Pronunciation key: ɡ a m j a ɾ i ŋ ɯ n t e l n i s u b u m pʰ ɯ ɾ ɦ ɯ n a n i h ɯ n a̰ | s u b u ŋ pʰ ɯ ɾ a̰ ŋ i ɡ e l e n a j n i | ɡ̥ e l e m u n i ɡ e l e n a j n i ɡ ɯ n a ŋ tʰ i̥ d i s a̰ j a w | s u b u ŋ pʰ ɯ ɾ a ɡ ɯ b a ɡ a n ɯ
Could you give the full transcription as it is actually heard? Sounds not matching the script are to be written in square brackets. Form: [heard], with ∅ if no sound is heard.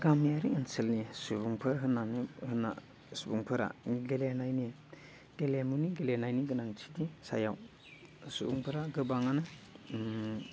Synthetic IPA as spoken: ɡ a m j a ɾ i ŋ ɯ n [s] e l n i s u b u [ŋ] pʰ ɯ ɾ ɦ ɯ n a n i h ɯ n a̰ | s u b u ŋ pʰ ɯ ɾ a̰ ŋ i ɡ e l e n a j n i | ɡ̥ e l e m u n i ɡ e l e n a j n i ɡ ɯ n a ŋ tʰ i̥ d i s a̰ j a w | s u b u ŋ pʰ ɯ ɾ a ɡ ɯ b a [ŋ] a n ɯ